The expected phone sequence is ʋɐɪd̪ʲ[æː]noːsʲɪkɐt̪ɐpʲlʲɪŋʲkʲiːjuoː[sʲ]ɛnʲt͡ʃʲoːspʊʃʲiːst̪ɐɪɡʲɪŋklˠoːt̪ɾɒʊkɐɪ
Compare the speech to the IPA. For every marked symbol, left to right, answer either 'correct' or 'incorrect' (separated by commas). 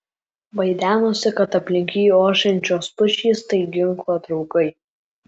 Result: correct, incorrect